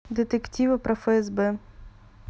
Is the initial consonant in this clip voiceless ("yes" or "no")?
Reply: no